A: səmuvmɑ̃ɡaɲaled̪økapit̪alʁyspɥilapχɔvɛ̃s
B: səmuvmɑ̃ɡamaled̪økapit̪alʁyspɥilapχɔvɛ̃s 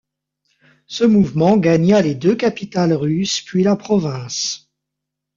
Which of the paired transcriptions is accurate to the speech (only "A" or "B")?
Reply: A